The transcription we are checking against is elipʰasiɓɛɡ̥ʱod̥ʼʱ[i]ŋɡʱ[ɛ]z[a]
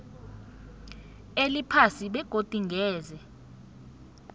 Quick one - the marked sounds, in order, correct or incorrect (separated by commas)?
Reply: correct, incorrect, incorrect